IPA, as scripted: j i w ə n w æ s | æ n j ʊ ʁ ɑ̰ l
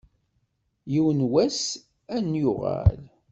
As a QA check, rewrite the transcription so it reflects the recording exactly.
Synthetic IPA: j i w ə n w æ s | æ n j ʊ ʁ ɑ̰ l